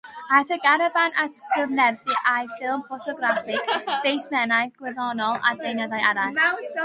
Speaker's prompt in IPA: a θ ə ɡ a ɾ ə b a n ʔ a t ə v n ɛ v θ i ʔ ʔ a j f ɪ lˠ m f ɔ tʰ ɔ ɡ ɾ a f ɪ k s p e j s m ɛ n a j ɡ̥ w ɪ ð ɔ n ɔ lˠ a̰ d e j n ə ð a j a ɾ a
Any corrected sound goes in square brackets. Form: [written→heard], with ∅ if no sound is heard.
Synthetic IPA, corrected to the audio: a θ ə ɡ a ɾ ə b a n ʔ a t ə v n ɛ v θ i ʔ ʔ a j f ɪ lˠ m f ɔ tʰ ɔ ɡ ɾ a f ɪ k s p e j s m ɛ n a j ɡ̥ w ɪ ð ɔ n ɔ lˠ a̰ d e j n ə ð a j a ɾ a